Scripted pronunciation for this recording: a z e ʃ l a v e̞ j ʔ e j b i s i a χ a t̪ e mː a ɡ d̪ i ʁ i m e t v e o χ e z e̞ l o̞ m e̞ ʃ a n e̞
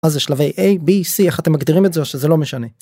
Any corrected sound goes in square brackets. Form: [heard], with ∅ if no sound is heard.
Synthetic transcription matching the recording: a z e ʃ l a v e̞ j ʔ e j b i s i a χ a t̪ e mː a ɡ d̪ i ʁ i m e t [z] e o [ʃ] e z e̞ l o̞ m e̞ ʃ a n e̞